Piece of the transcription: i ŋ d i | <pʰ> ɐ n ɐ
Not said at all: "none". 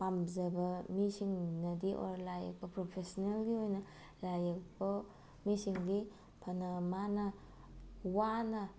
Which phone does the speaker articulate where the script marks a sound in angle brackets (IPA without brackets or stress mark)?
pʰ